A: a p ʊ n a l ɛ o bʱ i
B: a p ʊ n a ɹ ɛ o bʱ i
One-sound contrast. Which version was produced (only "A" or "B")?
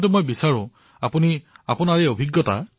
B